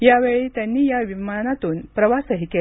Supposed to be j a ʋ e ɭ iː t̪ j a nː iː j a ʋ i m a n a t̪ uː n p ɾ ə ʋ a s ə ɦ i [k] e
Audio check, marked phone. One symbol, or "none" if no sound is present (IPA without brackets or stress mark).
k